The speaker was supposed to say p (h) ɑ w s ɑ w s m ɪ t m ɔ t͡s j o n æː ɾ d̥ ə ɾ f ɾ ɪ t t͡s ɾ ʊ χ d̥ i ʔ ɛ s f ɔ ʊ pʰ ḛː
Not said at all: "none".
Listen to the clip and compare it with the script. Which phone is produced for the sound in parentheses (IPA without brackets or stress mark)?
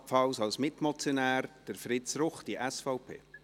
f